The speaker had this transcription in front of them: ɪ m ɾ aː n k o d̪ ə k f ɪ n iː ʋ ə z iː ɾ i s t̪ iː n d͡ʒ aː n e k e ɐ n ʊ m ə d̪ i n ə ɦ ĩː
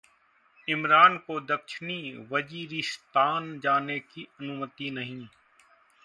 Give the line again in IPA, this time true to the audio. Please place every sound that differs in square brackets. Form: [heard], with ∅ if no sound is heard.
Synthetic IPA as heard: ɪ m ɾ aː n k o d̪ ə k [ʃ] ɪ n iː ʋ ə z iː ɾ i s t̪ [aː] n d͡ʒ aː n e k [i] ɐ n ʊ m ə [t̪] i n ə ɦ ĩː